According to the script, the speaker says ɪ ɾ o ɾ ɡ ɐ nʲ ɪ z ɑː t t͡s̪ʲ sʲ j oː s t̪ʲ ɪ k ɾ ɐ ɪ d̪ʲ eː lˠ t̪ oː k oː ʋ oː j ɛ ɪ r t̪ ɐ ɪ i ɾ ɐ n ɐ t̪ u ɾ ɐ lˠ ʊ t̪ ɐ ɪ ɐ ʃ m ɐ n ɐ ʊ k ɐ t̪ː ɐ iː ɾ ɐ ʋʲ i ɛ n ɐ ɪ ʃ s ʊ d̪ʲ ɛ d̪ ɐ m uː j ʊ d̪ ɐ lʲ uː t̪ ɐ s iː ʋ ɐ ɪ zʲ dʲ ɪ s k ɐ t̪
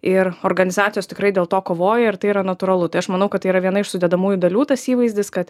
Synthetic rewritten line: ɪ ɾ o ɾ ɡ ɐ nʲ ɪ z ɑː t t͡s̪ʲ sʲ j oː s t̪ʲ ɪ k ɾ ɐ ɪ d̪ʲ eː lˠ t̪ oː k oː ʋ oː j ɛ ɪ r t̪ ɐ ɪ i ɾ ɐ n ɐ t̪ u ɾ ɐ lˠ ʊ t̪ ɐ ɪ ɐ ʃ m ɐ n ɐ ʊ k ɐ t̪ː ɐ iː ɾ ɐ ʋʲ i ɛ n ɐ ɪ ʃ s ʊ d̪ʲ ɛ d̪ ɐ m uː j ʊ d̪ ɐ lʲ uː t̪ ɐ s iː ʋ ɐ ɪ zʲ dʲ ɪ s k ɐ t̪